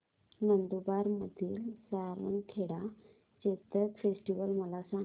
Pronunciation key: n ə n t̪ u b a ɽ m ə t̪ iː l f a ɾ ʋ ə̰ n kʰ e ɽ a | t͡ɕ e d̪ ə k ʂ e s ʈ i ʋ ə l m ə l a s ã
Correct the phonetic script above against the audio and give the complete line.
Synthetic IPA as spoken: n ə n d̪ u b a ɾ m ə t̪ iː l s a ɾ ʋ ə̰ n kʰ e ɽ a | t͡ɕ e t̪ ə k f e s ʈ i ʋ ə l m ə l a s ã